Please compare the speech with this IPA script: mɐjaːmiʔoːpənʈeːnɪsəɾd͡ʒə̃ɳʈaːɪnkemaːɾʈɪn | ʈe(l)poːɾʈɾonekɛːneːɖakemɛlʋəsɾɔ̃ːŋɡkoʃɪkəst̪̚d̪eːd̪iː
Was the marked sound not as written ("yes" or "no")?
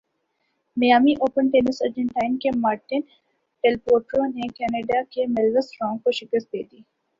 no